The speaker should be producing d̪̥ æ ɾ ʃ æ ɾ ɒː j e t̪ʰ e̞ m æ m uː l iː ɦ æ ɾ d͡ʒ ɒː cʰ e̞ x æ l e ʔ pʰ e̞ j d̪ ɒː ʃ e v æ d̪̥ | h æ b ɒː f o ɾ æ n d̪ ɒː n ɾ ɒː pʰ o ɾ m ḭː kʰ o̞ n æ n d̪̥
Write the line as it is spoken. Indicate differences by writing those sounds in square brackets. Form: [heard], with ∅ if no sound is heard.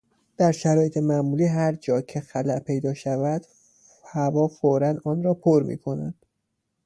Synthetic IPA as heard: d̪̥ æ ɾ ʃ æ ɾ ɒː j e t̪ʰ e̞ m æ m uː l iː ɦ æ ɾ d͡ʒ ɒː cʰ e̞ x æ l [æ] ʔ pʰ e̞ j d̪ ɒː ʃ [æ] v æ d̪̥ | h æ [v] ɒː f o ɾ æ n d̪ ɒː n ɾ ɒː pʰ o ɾ m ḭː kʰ o̞ n æ n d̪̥